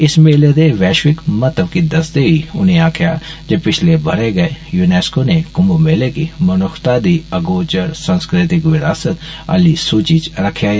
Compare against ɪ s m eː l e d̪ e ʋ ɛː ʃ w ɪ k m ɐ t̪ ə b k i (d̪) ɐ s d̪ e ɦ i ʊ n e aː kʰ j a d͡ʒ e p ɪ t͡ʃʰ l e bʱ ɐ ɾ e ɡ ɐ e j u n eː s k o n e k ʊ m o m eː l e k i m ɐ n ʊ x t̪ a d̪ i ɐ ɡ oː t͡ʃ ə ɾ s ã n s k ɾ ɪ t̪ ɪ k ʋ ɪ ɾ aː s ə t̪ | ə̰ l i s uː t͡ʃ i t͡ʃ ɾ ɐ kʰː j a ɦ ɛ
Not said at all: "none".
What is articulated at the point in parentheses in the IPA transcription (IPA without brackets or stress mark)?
d̪